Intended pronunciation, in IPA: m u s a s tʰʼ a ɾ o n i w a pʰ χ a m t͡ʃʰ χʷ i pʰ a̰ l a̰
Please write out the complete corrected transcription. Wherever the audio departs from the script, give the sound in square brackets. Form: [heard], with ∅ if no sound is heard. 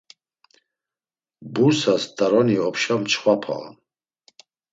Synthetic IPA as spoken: [b] u s a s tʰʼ a ɾ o n i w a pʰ [ʃ] a m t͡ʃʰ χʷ [a] pʰ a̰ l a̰